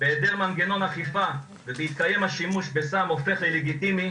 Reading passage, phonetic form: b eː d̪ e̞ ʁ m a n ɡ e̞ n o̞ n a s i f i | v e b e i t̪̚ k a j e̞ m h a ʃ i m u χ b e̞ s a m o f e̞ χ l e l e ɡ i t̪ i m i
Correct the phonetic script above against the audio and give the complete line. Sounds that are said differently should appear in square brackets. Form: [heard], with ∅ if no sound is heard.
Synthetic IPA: b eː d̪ e̞ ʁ m a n ɡ e̞ n o̞ n a [χ] i f [a] | v e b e i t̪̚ k a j e̞ m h a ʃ i m u [ʃ] b e̞ s a m o f e̞ χ l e l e ɡ i t̪ i m i